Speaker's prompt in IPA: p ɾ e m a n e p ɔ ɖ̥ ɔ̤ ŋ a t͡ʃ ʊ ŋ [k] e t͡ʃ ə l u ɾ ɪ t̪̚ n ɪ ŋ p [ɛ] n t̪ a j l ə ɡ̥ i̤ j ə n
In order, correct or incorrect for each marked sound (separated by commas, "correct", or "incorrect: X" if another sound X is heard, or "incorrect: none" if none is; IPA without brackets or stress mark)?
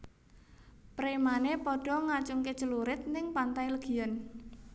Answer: correct, incorrect: a